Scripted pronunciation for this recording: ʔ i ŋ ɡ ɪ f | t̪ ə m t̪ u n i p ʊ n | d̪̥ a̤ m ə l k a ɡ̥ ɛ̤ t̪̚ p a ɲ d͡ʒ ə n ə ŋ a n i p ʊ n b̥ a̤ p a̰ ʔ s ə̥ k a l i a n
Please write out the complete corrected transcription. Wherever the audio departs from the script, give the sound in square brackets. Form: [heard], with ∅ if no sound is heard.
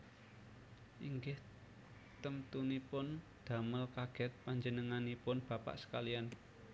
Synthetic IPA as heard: ʔ i ŋ ɡ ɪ [h] | t̪ ə m t̪ u n i p ʊ n | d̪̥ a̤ m ə l k a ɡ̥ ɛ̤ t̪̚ p a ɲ d͡ʒ ə n ə ŋ a n i p ʊ n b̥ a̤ p a̰ ʔ s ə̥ k a l i a n